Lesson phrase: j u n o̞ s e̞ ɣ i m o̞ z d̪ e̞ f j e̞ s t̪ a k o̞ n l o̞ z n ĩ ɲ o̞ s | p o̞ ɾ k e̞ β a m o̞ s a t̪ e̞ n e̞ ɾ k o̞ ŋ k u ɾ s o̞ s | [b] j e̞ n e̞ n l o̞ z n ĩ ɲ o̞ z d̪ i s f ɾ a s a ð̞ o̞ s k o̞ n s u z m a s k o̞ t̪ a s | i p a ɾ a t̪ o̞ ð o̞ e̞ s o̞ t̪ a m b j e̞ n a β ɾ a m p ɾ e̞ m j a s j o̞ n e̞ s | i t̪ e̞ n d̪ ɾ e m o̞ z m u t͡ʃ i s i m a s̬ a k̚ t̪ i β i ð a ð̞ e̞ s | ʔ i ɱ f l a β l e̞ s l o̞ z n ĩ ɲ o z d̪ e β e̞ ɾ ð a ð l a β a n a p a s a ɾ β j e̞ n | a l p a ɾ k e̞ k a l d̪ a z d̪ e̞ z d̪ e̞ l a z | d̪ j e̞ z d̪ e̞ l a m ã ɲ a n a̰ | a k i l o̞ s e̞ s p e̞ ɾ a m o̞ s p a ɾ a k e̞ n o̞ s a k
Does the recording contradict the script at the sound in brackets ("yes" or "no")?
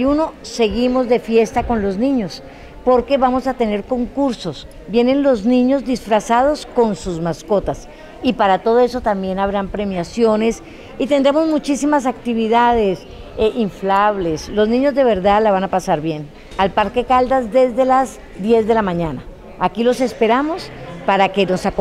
no